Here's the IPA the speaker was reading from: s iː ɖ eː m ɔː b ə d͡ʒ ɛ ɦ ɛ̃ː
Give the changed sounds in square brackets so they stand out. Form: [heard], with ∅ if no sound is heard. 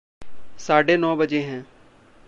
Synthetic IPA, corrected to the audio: s [aː] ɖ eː [n] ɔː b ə d͡ʒ [e] ɦ ɛ̃ː